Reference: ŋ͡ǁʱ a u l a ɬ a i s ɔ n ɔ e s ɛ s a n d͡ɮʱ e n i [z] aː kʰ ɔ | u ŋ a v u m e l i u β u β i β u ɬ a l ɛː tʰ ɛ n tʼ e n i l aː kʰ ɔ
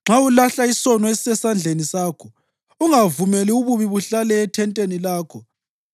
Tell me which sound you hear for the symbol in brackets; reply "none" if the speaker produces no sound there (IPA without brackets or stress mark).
s